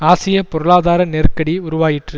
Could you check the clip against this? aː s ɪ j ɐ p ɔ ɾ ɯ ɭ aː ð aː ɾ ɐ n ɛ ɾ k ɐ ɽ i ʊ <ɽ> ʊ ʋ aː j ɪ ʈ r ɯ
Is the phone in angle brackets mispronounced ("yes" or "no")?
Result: yes